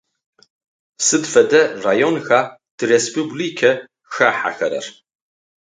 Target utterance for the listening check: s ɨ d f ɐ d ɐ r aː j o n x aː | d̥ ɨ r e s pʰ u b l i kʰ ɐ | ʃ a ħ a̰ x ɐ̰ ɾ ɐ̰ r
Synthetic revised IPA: s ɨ d f ɐ d ɐ r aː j o n x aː | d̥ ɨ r e s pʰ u b l i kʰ ɐ | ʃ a ħ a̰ x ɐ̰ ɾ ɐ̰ r